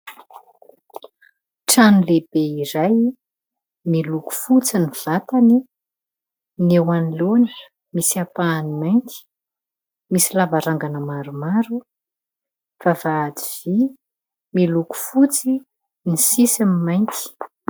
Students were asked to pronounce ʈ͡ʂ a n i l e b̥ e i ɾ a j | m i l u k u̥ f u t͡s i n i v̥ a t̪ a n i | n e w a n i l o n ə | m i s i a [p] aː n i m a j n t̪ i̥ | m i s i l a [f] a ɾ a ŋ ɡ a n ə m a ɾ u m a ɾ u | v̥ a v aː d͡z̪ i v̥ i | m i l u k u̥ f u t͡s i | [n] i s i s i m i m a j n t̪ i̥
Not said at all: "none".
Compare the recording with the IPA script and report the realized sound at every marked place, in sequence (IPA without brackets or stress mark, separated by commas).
p, v, n